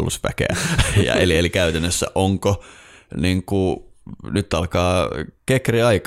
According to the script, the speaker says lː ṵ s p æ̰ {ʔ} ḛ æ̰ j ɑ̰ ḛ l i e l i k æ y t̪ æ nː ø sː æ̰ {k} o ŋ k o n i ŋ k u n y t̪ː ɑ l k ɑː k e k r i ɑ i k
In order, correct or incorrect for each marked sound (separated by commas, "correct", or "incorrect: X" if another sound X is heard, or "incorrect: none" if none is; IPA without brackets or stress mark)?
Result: incorrect: k, incorrect: ʔ